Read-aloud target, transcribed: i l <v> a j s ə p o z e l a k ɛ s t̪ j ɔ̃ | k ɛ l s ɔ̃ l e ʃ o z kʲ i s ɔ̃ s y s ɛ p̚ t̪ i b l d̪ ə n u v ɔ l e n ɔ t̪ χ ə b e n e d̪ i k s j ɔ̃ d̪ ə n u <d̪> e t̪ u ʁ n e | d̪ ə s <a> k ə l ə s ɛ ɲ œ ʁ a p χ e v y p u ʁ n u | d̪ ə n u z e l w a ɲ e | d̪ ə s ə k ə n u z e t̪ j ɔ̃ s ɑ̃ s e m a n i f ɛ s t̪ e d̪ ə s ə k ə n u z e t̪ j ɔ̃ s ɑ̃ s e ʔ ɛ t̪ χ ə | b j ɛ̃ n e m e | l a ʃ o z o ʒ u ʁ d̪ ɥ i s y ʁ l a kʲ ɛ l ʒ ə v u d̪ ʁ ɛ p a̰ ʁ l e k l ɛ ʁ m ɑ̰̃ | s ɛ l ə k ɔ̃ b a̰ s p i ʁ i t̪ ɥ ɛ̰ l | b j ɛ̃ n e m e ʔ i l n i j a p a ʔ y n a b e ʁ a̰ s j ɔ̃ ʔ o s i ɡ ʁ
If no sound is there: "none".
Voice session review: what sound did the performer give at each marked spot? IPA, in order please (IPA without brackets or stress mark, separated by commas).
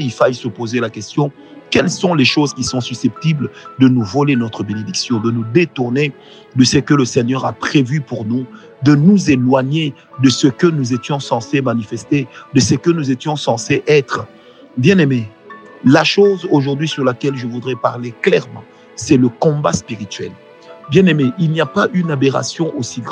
f, d̪, ə